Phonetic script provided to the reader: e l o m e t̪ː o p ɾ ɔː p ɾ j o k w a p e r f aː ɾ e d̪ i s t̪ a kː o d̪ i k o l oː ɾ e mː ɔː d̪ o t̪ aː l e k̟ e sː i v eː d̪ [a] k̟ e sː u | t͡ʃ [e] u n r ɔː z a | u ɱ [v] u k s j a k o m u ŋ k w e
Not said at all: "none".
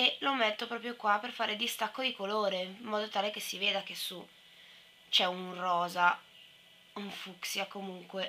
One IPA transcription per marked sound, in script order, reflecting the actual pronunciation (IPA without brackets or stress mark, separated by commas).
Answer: a, ɛ, f